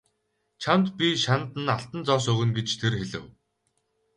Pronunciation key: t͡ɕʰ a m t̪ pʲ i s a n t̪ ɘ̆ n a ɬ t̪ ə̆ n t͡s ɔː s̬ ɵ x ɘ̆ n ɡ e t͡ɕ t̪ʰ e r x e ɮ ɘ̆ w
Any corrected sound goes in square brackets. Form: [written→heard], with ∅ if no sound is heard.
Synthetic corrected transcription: t͡ɕʰ a m t̪ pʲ i [s→ʃ] a n t̪ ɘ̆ n a ɬ t̪ ə̆ n t͡s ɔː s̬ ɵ [x→ɣ] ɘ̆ n ɡ e t͡ɕ t̪ʰ e r x e ɮ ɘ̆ w